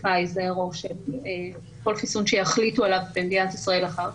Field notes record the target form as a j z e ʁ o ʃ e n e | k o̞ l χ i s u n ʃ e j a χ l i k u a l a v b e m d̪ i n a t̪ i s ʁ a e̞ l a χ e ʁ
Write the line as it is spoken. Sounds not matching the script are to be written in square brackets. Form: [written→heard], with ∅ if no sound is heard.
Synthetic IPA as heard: a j z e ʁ o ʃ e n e | k o̞ l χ i s u n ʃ e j a χ l i [k→t] u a l a v b e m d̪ i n a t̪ i s ʁ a e̞ l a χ [e→a] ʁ

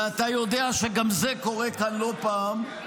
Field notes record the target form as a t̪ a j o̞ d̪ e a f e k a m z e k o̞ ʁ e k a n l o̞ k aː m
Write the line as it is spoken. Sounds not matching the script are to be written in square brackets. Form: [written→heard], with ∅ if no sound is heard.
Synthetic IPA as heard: a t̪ a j o̞ d̪ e a [f→ʃ] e [k→ɡ] a m z e k o̞ ʁ e k a n l o̞ [k→p] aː m

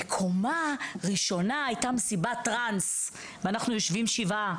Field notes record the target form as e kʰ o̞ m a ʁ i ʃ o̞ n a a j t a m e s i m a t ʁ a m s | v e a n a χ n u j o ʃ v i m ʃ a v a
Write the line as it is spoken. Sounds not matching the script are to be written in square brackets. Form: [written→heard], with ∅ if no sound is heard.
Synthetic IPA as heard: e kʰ o̞ m a ʁ i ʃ o̞ n a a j t a m e s i [m→b] a t ʁ a [m→n] s | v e a n a χ n u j o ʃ v i m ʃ [a→i] v a

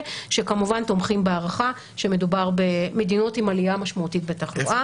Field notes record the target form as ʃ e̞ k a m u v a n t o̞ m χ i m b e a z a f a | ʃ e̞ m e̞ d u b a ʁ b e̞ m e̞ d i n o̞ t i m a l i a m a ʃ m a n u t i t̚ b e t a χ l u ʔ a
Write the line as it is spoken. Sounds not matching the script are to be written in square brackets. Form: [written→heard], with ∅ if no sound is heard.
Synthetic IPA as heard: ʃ e̞ k a m u v a n t o̞ m χ i m b e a [z→ʁ] a [f→χ] a | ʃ e̞ m e̞ d u b a ʁ b e̞ m e̞ d i n o̞ t i m a l i a m a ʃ m a [n→∅] u t i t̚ b e t a χ l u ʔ a

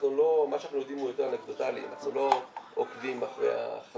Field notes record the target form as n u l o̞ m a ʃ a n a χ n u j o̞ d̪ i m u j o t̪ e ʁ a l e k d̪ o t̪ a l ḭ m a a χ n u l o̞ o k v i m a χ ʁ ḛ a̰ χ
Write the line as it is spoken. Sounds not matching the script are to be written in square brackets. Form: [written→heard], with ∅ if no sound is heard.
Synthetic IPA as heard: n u l o̞ m a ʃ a n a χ n u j o̞ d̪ i m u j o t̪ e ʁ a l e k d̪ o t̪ a l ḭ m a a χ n u l o̞ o k v i m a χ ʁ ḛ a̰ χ

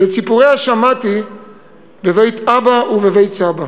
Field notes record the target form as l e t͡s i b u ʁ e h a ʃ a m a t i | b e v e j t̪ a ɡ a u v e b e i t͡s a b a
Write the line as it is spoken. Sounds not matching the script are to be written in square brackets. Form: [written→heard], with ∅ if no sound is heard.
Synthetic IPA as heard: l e t͡s i [b→p] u ʁ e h a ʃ a m a t i | b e v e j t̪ a [ɡ→b] a u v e [b→v] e [i→j] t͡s a b a

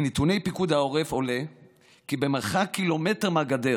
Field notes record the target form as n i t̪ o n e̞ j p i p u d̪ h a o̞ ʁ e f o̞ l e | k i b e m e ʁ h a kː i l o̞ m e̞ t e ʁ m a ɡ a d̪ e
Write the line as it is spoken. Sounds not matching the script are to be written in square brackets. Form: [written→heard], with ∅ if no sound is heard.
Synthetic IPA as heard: n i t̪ [o→u] n e̞ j p i [p→k] u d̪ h a o̞ ʁ e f o̞ l e | k i b e m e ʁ [h→χ] a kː i l o̞ m e̞ t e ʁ m a ɡ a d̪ e

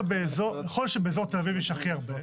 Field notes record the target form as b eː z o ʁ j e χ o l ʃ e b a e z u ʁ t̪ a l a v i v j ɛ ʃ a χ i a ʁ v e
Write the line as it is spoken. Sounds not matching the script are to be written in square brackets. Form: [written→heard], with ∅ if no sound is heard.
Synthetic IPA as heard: b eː z o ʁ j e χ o l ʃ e b [a→e] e z [u→o] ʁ t̪ [a→e] l a v i v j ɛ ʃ a χ i a ʁ [v→b] e

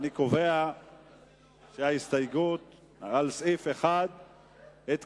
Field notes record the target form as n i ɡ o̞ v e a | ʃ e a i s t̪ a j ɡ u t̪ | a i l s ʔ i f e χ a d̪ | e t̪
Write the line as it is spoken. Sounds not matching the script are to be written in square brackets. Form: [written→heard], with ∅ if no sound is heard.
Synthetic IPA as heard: n i [ɡ→k] o̞ v e a | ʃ e a i s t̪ a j ɡ u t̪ | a [i→a] l s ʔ i f e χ a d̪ | e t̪

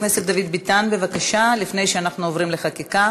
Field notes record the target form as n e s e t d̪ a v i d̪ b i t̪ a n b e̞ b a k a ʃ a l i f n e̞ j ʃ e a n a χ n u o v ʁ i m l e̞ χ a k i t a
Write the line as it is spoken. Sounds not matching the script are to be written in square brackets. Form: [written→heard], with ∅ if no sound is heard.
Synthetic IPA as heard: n e s e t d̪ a v i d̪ b i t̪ a n b e̞ [b→v] a k a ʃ a l i f n e̞ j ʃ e a n a χ n u o v ʁ i m l e̞ χ a k i [t→k] a

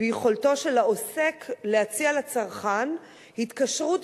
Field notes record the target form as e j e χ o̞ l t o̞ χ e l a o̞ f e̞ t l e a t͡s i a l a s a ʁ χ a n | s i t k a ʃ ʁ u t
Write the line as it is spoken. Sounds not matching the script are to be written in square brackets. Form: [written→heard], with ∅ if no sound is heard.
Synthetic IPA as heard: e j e χ o̞ l t o̞ [χ→ʃ] e l a o̞ [f→s] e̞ [t→k] l e a t͡s i a l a [s→t͡s] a ʁ χ a n | [s→h] i t k a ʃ ʁ u t

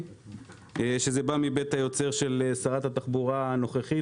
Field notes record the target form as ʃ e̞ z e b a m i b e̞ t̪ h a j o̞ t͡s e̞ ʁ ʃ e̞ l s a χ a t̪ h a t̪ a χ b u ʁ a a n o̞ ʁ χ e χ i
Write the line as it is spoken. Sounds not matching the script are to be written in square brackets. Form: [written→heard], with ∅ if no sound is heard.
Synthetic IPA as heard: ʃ e̞ z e b a m i b e̞ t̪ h a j o̞ t͡s e̞ ʁ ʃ e̞ l s a [χ→ʁ] a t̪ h a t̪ a χ b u ʁ a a n o̞ [ʁ→∅] χ e χ i

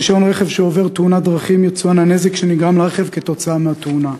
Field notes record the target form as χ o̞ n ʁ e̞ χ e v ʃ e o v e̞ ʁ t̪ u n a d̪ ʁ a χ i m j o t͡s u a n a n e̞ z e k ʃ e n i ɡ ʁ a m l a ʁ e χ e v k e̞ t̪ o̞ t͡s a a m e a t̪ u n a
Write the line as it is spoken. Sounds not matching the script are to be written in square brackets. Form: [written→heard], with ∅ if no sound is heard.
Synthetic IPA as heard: [χ→ʃ] o̞ n ʁ e̞ χ e v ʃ e o v e̞ ʁ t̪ u n a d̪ ʁ a χ i m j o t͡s u a n a n e̞ z e k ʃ e n i ɡ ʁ a m l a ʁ e χ e v k e̞ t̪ o̞ t͡s a a m e a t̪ u n a

